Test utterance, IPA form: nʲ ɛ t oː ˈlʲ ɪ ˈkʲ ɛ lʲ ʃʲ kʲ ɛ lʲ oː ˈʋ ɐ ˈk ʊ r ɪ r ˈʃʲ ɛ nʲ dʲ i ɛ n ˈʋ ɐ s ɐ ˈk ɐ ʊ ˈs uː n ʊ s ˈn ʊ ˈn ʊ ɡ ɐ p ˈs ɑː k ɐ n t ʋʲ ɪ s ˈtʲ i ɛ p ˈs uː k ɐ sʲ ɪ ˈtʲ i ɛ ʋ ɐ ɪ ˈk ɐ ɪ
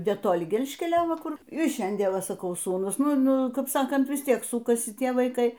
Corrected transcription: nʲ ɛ t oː ˈlʲ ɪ ˈɡʲ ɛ lʲ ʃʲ kʲ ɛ lʲ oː ˈʋ ɐ ˈk ʊ r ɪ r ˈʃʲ ɛ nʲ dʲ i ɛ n ˈʋ ɐ s ɐ ˈk ɐ ʊ ˈs uː n ʊ s ˈn ʊ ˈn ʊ k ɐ p ˈs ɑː k ɐ n t ʋʲ ɪ s ˈtʲ i ɛ k ˈs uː k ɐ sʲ ɪ ˈtʲ i ɛ ʋ ɐ ɪ ˈk ɐ ɪ